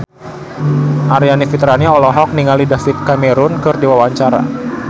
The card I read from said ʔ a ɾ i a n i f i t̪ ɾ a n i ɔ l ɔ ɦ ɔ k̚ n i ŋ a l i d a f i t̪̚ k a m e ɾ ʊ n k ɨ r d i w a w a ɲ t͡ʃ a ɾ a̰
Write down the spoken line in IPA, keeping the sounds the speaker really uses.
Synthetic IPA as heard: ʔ a ɾ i a n i f i t̪ ɾ a n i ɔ l ɔ ɦ ɔ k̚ n i ŋ a l i d a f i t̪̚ k a m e ɾ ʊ n k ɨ r d i w a w a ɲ t͡ʃ a ɾ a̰